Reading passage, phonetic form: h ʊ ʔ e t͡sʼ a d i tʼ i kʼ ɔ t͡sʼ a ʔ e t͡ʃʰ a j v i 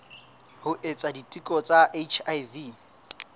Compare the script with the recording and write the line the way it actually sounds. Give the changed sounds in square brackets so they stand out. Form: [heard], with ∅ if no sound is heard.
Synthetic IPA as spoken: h ʊ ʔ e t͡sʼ a d i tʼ i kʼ ɔ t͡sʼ a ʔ e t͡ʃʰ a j v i

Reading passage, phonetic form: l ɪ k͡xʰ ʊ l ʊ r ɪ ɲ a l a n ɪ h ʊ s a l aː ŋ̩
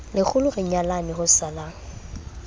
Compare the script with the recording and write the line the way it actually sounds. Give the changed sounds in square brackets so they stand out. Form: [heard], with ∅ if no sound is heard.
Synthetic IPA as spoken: l ɪ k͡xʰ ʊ l ʊ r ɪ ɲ a l a n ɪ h ʊ s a l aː ŋ̩

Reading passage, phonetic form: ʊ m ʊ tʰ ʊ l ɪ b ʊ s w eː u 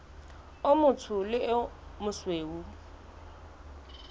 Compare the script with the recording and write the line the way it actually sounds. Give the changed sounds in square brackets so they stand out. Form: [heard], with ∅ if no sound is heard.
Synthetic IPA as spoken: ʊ m ʊ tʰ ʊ l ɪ [m] ʊ s w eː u

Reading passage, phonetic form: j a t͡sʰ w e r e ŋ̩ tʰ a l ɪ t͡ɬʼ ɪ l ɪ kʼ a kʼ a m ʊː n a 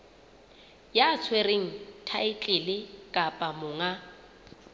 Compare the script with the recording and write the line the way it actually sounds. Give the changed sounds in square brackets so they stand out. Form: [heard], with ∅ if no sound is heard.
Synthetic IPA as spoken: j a t͡sʰ w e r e ŋ̩ tʰ a [∅] ɪ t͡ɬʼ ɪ l ɪ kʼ a [pʼ] a m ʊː [ŋ] a

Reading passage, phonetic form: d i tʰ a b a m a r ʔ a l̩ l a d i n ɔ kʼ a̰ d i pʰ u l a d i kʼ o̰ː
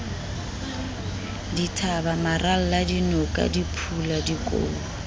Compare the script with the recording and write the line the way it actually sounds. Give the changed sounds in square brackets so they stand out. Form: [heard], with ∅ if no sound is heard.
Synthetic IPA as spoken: d i tʰ a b a m a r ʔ a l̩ l a d i n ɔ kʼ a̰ d i pʰ u l a d i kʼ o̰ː

